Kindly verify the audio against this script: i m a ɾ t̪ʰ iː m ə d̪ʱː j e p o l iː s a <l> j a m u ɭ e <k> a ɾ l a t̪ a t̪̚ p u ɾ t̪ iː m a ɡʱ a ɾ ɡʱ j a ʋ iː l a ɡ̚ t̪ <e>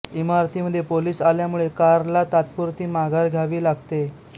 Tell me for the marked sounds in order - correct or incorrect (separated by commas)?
correct, correct, correct